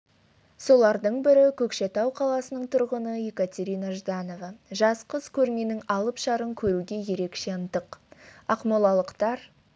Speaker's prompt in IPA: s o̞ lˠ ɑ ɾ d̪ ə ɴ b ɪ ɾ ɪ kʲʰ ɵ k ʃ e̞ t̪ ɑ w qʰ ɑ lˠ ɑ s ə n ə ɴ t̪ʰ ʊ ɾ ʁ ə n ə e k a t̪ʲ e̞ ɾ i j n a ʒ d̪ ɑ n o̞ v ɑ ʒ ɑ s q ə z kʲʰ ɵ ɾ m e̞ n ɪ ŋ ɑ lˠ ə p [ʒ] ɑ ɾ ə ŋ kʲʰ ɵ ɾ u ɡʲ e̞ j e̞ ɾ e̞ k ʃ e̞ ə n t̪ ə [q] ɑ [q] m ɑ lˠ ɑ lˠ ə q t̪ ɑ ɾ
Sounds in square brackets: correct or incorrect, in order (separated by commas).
incorrect, correct, correct